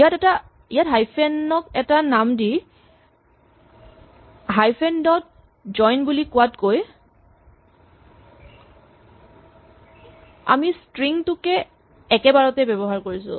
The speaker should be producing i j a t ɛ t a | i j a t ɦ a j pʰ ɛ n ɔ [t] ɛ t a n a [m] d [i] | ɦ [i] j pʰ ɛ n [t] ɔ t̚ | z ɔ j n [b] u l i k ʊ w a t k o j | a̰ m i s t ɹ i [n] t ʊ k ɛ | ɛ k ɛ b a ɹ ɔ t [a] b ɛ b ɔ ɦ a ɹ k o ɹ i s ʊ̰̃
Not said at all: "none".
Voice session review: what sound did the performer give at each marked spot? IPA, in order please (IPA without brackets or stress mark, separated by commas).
k, m, i, a, d, b, ŋ, ɛ